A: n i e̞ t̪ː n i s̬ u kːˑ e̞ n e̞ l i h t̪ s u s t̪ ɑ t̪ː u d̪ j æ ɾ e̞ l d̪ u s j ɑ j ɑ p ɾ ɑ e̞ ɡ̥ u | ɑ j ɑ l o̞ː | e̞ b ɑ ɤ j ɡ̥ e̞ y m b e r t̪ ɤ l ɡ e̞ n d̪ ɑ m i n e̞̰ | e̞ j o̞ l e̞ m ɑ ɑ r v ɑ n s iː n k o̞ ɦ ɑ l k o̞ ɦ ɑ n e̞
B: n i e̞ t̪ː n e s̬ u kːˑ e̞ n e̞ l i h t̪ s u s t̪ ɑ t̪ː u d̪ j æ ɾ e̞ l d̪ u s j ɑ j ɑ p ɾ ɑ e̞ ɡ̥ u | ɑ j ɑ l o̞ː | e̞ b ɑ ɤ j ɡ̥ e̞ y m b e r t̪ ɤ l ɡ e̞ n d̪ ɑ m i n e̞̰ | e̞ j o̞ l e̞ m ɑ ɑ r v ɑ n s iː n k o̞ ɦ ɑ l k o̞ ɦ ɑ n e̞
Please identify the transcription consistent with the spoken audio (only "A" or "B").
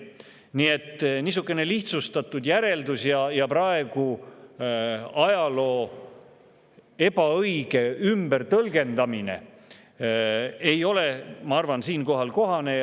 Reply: A